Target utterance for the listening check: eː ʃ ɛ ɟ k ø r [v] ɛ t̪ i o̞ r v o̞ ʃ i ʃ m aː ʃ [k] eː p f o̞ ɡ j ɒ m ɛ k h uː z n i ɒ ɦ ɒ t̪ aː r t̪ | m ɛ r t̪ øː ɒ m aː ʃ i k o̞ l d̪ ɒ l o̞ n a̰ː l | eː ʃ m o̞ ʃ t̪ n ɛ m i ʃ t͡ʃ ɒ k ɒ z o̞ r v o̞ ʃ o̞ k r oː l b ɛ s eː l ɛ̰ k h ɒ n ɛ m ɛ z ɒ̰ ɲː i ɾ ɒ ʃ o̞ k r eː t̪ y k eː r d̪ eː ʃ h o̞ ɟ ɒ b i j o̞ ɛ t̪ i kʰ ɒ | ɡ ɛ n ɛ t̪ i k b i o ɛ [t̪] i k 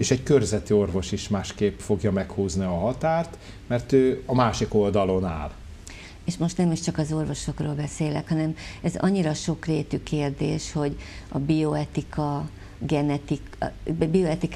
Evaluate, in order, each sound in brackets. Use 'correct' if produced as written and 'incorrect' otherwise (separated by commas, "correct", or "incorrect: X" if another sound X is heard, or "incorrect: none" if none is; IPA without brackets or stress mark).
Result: incorrect: z, correct, correct